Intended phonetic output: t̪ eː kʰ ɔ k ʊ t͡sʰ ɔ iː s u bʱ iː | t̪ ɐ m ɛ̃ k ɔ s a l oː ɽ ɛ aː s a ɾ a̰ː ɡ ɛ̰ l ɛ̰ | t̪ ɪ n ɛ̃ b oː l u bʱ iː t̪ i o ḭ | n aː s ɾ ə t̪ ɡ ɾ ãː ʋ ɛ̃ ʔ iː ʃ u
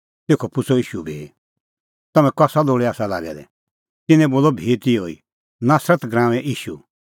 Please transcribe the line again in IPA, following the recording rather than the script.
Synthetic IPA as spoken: t̪ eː kʰ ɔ p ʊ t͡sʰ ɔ iː ʃ u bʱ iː | t̪ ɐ m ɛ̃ k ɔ s a l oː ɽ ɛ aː s a l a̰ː ɡ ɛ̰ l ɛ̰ | t̪ ɪ n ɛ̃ b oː l ɔ bʱ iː t̪ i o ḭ | n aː s ɾ ə t̪ ɡ ɾ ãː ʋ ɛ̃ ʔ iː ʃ u